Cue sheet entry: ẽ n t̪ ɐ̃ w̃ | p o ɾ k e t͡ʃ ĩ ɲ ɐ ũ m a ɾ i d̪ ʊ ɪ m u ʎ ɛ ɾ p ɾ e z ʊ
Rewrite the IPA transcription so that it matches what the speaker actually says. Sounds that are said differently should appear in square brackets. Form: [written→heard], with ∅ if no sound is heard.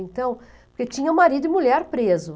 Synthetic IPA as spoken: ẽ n t̪ ɐ̃ w̃ | p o ɾ k e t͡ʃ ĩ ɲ ɐ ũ m a ɾ i d̪ ʊ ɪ m u ʎ ɛ ɾ p ɾ e z ʊ